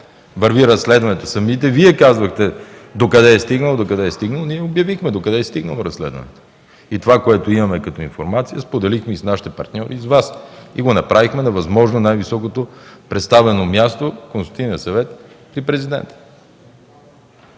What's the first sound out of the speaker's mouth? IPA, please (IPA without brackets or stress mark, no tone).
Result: v